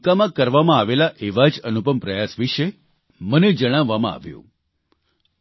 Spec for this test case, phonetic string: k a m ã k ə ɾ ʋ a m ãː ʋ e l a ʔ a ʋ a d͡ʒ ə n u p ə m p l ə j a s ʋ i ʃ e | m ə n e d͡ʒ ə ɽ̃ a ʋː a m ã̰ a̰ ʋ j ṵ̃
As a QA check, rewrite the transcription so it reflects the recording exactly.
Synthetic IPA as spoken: k a m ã k ə ɾ ʋ a m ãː ʋ e l a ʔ e ʋ a d͡ʒ ə n u p ə m p ɾ ə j a s ʋ i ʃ e | m ə n e d͡ʒ ə ɽ̃ a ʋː a m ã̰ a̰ ʋ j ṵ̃